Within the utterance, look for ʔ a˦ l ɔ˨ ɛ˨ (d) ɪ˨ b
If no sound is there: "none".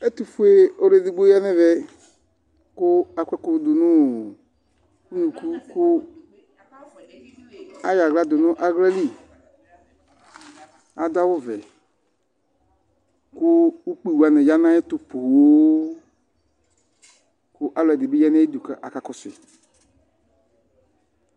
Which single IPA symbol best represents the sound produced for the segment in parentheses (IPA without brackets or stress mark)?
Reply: d